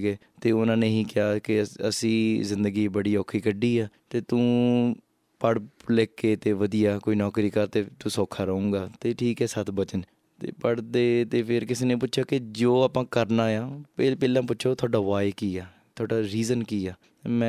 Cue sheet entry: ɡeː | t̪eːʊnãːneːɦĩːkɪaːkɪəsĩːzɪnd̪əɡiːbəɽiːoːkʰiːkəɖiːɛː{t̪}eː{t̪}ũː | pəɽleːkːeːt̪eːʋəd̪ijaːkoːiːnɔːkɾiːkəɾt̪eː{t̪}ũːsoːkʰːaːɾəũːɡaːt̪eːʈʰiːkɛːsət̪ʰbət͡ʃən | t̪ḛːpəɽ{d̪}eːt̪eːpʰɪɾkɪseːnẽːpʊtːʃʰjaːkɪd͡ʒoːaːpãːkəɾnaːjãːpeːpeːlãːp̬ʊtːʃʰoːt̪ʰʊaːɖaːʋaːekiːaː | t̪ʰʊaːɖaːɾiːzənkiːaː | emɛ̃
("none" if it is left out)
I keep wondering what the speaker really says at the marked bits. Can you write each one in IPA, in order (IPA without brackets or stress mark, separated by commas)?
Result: t̪, t̪, t̪, d̪